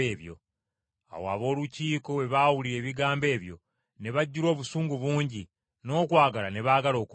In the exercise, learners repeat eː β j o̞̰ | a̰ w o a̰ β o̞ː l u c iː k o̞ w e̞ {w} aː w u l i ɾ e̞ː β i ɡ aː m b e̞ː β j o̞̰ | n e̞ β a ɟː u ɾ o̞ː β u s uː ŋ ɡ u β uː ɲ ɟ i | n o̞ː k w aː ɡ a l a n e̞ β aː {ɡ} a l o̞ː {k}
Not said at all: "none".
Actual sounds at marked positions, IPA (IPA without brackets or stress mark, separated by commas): β, ɡ, k